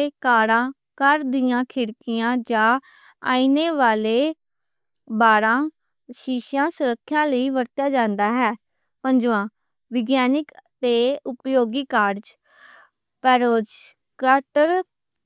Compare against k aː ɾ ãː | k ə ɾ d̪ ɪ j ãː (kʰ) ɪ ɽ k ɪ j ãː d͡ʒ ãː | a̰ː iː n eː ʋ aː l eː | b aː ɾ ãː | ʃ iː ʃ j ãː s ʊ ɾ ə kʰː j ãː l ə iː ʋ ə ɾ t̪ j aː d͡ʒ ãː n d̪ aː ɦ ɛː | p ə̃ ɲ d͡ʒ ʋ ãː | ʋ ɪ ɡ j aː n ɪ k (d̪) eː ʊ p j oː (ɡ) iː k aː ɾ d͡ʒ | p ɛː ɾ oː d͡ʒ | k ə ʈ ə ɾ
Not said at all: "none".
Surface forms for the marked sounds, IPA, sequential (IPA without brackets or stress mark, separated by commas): kʰ, t̪, ɡ